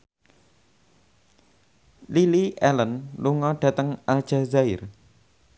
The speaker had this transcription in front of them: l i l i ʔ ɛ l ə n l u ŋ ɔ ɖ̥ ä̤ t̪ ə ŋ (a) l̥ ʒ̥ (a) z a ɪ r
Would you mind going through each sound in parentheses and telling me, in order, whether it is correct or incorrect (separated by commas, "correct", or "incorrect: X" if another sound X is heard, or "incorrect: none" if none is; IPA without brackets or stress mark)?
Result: correct, correct